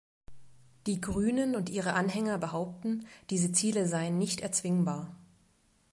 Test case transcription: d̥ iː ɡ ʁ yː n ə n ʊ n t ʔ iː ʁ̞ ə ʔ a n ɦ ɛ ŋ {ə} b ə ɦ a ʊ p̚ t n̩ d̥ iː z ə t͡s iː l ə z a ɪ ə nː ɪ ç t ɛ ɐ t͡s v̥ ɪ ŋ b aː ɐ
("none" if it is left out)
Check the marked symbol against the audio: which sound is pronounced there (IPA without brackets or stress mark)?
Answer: ɐ